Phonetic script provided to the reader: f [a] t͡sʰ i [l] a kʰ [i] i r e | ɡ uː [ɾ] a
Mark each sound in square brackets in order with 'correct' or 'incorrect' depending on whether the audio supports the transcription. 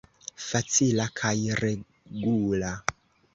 correct, correct, incorrect, incorrect

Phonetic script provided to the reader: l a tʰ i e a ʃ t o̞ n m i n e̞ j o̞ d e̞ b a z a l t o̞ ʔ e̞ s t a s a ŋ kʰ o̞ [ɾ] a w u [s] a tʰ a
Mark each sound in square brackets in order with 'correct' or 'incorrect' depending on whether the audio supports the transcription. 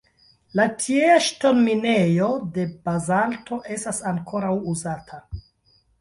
correct, incorrect

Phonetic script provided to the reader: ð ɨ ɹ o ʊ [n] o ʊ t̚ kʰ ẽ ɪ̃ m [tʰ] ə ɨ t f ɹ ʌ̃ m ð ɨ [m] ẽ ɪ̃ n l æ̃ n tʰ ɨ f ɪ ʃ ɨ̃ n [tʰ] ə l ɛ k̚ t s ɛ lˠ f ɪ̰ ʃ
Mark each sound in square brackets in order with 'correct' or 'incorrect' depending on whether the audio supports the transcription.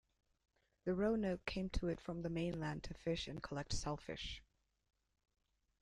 correct, correct, correct, incorrect

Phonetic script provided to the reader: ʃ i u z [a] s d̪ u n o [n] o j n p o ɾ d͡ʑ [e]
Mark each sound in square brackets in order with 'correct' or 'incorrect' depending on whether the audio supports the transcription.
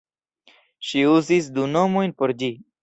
incorrect, incorrect, incorrect

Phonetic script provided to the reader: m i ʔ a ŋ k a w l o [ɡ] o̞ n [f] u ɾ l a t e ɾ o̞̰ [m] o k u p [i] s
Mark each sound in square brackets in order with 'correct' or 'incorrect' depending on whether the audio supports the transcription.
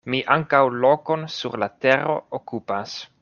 incorrect, incorrect, incorrect, incorrect

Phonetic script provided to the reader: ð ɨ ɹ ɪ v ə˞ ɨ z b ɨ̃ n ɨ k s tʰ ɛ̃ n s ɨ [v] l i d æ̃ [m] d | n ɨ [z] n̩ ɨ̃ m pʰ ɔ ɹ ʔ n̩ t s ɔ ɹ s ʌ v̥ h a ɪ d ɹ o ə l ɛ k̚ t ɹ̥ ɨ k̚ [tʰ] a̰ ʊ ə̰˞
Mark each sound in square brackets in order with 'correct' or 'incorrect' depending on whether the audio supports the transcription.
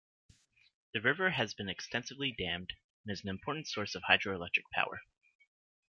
correct, correct, correct, incorrect

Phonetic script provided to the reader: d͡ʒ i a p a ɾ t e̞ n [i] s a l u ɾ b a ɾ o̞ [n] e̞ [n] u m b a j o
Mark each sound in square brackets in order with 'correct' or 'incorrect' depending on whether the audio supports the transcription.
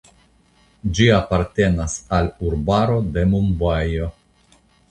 incorrect, incorrect, incorrect

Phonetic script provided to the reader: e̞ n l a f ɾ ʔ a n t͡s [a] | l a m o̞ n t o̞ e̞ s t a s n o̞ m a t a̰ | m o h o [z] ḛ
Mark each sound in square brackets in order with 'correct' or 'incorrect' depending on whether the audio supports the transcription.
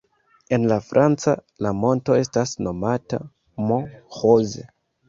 correct, correct

